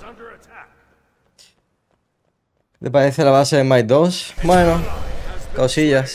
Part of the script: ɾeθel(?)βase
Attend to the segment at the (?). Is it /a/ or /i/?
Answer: a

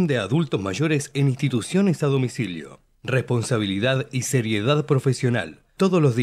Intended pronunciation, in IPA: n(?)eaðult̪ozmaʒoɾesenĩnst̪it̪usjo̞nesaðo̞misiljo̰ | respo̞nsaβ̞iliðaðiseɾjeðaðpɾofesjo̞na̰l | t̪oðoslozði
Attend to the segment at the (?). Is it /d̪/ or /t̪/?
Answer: d̪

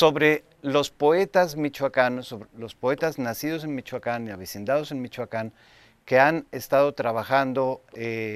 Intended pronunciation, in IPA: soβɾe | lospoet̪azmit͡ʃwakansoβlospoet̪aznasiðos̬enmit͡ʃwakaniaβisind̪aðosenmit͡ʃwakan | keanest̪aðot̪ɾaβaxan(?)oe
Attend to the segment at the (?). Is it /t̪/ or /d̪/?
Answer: d̪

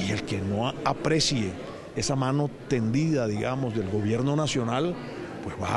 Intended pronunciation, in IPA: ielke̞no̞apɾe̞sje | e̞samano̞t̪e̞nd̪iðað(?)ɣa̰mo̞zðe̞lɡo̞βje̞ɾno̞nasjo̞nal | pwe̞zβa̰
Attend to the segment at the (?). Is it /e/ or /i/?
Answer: i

